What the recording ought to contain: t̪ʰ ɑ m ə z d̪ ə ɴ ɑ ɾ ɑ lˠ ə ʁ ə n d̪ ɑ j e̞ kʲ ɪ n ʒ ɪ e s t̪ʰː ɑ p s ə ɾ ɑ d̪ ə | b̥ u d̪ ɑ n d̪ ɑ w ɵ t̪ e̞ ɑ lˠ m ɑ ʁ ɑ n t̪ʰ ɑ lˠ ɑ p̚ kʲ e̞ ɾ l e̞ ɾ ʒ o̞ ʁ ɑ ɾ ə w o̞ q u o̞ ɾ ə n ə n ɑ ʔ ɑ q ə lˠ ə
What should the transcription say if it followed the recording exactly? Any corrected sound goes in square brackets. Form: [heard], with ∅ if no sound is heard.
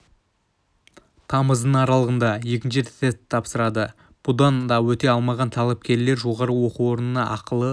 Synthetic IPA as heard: t̪ʰ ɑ m ə z d̪ ə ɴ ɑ ɾ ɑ lˠ ə ʁ ə n d̪ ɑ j e̞ kʲ ɪ n [ʃ] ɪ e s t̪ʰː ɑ p s ə ɾ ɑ d̪ ə | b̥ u d̪ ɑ n d̪ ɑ w ɵ t̪ e̞ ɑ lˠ m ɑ ʁ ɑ n t̪ʰ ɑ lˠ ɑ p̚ kʲ e̞ ɾ l e̞ ɾ ʒ o̞ ʁ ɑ ɾ ə w o̞ q u o̞ ɾ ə n ə n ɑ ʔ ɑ q ə lˠ ə